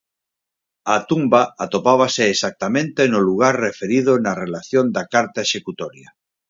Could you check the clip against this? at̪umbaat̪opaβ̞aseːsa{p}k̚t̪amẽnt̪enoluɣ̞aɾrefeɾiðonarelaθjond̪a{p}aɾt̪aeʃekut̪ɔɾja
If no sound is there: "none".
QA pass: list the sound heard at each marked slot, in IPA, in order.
none, k

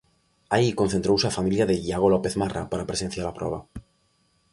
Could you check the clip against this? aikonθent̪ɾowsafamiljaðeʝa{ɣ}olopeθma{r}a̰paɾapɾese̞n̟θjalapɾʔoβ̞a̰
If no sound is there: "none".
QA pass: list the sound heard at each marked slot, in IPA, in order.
ɣ, r

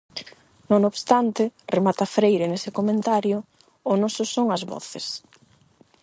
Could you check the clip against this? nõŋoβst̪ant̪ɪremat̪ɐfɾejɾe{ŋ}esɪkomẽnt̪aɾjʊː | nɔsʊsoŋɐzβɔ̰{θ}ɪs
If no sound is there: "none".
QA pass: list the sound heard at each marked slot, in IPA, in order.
n, θ

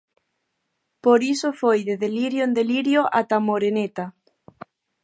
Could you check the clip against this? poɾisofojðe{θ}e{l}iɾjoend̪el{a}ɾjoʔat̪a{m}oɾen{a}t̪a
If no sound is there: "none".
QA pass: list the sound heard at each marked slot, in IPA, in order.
ð, l, i, m, e

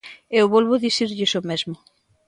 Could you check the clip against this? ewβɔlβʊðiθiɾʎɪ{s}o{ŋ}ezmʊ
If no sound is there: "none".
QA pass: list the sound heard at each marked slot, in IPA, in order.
s, m

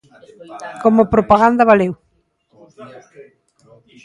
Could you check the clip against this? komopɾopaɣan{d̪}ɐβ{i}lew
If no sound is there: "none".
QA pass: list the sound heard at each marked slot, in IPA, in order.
d̪, a

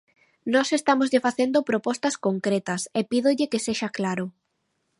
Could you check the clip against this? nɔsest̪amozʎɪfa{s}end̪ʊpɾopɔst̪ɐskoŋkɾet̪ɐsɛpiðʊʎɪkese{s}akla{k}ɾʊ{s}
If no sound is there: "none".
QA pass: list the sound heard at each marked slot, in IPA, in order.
θ, ʃ, none, none

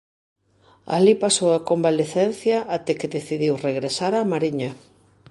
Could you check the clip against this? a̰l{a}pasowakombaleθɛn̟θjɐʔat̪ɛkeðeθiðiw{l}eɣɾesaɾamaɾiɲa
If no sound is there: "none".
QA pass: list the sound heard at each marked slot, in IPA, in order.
i, r

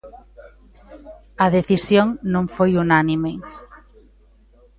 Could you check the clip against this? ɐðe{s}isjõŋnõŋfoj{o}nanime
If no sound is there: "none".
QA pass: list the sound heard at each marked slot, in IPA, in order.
θ, u

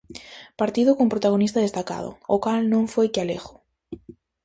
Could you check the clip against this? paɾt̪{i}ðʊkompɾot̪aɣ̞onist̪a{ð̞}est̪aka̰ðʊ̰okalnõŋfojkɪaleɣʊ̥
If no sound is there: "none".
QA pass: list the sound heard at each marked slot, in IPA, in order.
i, ð̞

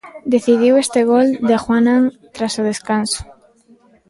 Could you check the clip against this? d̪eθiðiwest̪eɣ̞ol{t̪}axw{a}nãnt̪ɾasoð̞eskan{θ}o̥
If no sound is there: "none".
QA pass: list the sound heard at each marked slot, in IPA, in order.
d̪, a, s

